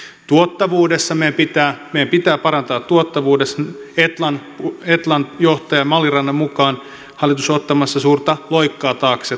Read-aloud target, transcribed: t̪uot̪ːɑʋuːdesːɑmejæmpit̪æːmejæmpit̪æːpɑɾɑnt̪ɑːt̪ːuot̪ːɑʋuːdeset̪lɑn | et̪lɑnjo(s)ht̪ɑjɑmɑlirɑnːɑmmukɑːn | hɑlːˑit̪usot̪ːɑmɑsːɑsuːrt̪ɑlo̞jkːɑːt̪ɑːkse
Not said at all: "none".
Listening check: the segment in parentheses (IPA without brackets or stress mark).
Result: none